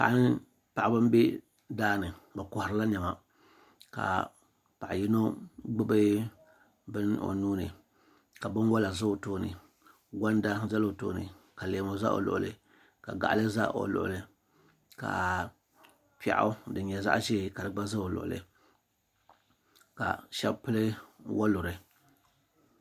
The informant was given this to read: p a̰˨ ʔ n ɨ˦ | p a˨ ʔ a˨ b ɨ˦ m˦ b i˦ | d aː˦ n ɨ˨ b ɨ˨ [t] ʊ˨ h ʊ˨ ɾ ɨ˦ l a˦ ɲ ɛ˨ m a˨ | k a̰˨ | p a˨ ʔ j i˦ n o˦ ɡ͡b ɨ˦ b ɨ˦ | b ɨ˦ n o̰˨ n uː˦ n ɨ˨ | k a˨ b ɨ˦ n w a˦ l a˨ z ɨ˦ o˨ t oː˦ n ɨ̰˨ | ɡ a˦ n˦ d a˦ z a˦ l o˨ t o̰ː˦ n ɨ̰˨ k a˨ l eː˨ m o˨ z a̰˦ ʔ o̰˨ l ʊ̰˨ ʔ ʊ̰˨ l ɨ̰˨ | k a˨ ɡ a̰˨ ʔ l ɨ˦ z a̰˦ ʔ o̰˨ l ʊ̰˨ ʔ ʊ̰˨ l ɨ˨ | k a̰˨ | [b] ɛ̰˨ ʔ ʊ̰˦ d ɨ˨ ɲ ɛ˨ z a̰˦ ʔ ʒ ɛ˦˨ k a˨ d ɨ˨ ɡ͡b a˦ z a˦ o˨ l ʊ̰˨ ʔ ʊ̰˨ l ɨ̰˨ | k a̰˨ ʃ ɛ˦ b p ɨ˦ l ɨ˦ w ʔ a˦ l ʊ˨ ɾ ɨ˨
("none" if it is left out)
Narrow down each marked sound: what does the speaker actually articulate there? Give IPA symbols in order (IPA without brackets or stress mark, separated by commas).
k, p